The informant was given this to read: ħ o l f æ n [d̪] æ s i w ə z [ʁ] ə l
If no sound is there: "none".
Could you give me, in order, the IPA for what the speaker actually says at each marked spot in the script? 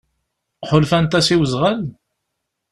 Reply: t̪, ʁ

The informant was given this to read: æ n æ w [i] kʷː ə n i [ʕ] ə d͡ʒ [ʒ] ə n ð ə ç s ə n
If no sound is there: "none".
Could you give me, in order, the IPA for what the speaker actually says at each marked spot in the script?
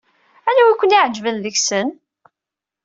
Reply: æ, ʕ, v

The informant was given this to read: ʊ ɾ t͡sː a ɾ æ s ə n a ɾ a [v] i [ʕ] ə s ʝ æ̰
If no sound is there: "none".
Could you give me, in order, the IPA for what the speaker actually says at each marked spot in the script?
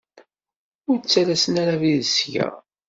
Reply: v, ð

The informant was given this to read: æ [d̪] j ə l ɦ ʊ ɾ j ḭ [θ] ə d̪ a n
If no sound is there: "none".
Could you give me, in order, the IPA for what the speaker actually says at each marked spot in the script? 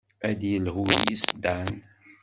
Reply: d̪, s

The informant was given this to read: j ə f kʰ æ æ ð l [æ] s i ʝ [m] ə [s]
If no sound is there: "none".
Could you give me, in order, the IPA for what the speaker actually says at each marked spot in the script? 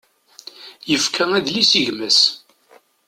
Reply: i, m, s

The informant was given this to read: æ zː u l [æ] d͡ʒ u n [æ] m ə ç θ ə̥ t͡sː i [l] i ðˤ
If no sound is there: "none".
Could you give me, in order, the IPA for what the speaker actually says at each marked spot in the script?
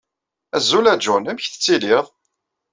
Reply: æ, æ, l

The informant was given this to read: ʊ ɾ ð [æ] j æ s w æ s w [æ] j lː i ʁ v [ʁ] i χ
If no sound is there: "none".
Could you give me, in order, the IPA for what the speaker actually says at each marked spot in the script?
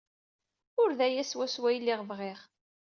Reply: æ, æ, ʁ

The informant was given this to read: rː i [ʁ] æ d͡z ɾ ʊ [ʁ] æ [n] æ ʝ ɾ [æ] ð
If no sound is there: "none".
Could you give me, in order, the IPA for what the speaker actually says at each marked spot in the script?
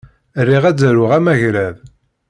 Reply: ʁ, ʁ, m, æ

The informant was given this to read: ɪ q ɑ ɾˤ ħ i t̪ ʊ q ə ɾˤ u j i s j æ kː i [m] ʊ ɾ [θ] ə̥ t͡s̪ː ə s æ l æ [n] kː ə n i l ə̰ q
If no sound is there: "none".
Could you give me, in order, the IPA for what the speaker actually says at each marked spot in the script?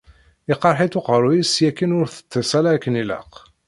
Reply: n, θ, none

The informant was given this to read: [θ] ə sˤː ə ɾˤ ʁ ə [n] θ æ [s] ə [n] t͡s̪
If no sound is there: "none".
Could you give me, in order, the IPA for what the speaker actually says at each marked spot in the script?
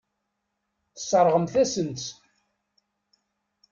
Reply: θ, m, s, n

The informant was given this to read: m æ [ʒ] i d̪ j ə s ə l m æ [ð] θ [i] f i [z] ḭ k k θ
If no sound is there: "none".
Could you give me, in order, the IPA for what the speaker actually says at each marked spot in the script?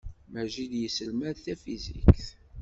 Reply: ʒ, ð, æ, z

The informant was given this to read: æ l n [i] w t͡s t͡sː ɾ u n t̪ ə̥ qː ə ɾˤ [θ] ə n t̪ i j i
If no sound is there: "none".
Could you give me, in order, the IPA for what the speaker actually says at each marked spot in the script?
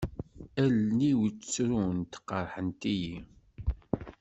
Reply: i, ħ

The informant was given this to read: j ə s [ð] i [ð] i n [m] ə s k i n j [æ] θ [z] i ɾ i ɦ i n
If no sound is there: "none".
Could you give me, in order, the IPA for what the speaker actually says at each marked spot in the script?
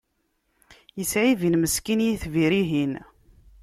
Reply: ʕ, v, m, i, v

